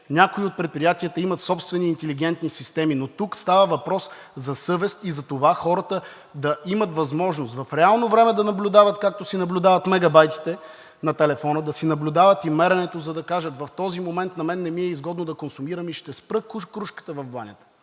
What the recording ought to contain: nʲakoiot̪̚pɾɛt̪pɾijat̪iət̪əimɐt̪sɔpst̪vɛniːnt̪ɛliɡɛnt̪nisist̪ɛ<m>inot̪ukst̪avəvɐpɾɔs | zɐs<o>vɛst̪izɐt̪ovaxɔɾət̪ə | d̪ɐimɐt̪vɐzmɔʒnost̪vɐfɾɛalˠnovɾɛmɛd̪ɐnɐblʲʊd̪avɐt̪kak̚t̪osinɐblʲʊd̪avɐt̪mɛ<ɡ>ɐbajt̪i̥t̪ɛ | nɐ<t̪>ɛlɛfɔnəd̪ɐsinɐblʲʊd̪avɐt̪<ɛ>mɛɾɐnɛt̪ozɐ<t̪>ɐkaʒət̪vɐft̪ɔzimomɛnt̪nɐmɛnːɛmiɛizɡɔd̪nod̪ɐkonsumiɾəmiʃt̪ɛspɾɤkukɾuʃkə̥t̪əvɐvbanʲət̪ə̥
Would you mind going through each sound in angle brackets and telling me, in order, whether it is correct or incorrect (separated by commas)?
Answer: correct, incorrect, correct, correct, incorrect, incorrect